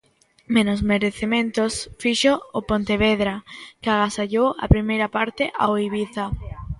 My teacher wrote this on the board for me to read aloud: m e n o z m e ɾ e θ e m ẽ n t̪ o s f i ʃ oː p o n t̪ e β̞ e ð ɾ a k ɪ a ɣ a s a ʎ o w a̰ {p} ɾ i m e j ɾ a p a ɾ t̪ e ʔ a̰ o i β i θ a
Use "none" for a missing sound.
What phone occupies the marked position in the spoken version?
p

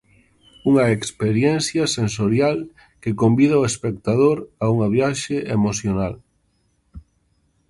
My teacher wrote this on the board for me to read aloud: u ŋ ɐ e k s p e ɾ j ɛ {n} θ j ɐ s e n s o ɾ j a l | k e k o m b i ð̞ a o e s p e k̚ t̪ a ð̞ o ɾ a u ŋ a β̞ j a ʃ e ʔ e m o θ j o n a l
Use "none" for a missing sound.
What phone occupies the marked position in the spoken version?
n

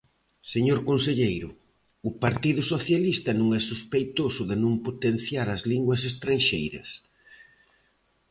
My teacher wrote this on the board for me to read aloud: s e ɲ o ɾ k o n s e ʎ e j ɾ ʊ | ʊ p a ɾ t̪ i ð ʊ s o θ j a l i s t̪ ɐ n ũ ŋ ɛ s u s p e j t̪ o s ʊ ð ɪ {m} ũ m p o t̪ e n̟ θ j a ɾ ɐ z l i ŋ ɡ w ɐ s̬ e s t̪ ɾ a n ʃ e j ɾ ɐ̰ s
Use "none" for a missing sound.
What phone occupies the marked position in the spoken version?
n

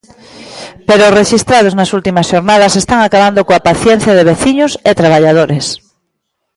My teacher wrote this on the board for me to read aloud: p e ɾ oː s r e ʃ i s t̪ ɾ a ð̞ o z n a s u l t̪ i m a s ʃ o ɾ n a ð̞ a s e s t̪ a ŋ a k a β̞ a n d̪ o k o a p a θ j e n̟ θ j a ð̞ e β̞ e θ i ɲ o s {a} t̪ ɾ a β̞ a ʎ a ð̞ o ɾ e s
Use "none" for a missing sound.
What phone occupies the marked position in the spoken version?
e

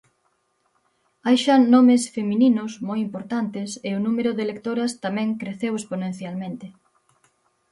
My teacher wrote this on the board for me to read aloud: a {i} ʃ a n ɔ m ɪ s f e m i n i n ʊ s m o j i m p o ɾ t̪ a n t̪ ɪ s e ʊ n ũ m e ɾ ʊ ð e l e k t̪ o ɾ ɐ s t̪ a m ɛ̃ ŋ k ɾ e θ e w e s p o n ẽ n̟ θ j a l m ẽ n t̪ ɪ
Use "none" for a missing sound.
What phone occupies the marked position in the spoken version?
j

